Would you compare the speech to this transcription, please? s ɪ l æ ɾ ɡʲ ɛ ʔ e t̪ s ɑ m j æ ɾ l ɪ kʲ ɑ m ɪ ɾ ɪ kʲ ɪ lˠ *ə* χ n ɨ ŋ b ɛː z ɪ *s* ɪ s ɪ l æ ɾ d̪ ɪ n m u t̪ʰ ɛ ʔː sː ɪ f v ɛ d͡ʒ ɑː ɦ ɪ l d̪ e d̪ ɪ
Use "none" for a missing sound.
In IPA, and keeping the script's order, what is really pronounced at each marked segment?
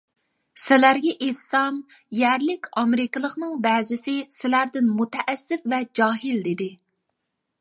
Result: ə, s

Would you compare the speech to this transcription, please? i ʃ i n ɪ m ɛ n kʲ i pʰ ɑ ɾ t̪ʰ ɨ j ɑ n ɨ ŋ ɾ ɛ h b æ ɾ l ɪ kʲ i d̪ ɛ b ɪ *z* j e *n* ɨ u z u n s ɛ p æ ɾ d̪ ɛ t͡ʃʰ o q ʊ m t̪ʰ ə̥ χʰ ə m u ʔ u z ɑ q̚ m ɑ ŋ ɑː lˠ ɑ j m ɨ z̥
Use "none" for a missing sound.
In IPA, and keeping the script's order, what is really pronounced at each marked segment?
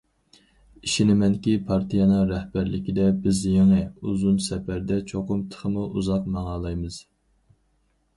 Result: z, ŋ

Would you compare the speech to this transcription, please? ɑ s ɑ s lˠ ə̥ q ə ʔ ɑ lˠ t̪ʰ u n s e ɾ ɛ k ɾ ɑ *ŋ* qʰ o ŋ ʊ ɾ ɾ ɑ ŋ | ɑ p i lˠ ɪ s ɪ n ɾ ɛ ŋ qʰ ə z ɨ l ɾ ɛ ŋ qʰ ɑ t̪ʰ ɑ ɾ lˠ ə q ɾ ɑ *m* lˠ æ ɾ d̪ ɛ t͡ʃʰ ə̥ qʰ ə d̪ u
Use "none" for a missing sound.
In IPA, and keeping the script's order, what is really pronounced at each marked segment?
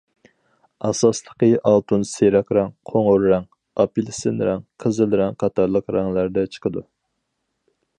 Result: ŋ, ŋ

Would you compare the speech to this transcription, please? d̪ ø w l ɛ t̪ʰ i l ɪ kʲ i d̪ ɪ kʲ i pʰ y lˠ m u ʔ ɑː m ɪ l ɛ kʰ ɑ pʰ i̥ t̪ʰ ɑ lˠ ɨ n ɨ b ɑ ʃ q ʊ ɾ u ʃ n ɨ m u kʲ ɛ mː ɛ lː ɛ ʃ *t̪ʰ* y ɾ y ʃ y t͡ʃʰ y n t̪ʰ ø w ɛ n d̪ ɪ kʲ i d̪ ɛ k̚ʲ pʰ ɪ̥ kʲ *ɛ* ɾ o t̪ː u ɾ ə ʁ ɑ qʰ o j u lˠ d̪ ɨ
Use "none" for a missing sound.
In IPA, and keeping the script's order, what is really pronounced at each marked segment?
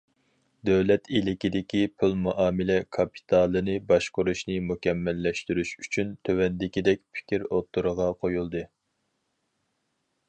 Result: t̪, i

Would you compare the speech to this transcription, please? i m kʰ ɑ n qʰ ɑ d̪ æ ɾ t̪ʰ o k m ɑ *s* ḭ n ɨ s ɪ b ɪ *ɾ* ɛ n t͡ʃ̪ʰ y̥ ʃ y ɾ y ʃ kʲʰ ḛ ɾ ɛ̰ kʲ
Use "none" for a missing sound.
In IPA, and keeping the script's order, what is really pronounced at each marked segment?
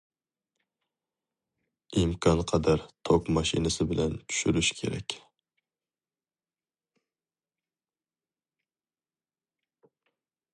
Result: ʃ, l

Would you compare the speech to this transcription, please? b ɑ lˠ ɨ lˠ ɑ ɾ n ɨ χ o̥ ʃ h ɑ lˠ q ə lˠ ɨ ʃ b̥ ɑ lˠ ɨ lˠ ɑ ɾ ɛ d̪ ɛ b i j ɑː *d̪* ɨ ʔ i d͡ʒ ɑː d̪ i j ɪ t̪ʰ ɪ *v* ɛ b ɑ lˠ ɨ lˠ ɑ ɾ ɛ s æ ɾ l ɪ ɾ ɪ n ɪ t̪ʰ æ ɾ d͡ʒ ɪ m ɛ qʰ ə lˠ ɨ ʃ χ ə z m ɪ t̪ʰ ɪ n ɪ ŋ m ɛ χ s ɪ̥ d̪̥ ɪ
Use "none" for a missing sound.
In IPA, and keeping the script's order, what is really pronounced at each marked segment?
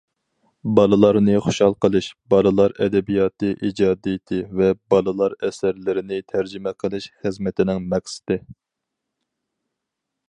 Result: t̪, v

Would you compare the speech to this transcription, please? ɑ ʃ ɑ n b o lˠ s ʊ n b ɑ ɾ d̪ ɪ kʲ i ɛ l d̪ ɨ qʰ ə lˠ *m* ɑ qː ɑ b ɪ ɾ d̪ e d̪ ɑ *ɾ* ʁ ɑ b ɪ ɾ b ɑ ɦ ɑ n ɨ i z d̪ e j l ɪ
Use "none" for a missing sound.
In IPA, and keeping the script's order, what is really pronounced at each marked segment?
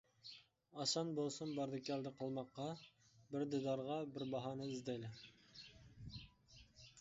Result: m, ɾ

